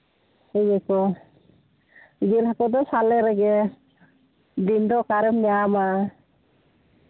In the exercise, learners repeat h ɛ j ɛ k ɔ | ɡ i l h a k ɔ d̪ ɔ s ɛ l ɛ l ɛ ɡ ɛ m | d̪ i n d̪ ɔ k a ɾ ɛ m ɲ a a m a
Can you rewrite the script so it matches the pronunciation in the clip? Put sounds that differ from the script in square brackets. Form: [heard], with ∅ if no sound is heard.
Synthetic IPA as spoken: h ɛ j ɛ k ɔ | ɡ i l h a k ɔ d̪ ɔ s [a] l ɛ [ɾ] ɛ ɡ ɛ [∅] | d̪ i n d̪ ɔ k a ɾ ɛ m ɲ a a m a